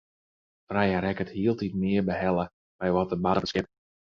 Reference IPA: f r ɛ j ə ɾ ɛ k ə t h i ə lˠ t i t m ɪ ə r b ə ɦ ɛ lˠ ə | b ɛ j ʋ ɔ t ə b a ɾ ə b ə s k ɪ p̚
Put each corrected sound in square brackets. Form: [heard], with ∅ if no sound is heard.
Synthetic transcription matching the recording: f r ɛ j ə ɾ ɛ k ə t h i ə lˠ t i t m ɪ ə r b ə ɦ ɛ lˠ ə | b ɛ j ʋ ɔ t ə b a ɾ ə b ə s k ɪ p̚